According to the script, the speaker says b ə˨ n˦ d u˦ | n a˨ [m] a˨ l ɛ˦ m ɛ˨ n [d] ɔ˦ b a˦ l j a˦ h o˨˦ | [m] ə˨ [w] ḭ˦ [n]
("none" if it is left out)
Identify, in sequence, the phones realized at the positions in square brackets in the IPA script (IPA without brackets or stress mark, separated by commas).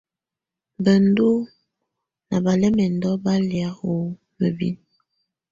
b, d, m, b, n